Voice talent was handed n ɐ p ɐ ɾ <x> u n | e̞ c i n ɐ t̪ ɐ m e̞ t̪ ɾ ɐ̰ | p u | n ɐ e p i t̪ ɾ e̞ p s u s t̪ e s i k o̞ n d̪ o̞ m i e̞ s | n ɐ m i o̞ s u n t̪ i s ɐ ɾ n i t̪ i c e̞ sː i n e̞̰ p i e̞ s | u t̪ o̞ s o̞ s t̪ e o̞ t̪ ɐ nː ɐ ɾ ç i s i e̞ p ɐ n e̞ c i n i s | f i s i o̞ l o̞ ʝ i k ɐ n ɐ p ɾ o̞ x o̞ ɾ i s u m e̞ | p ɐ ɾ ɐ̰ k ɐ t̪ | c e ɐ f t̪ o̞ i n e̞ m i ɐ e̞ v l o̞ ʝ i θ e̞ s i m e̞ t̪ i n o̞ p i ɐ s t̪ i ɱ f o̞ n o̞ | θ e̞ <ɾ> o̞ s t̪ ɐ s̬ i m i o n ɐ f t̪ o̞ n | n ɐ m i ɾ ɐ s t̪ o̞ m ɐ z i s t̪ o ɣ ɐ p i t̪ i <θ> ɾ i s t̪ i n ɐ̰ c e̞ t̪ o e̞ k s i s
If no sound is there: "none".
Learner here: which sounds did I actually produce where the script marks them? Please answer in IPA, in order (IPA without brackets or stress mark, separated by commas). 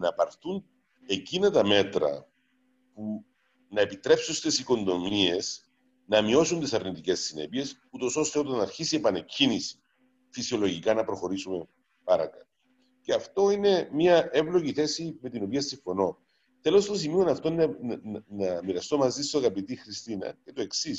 θ, l, x